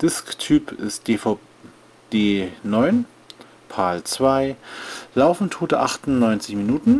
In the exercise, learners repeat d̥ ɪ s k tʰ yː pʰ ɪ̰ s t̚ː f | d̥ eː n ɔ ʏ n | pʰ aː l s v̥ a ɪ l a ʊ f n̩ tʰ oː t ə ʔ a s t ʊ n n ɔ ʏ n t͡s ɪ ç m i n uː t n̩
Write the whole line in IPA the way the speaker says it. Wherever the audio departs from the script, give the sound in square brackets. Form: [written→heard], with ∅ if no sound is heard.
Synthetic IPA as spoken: d̥ ɪ s k tʰ yː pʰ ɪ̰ s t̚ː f | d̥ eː n ɔ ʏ n | pʰ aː l [s→t͡s] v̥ a ɪ l a ʊ f n̩ tʰ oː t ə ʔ a [s→χ] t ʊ n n ɔ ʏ n t͡s ɪ ç m i n uː t n̩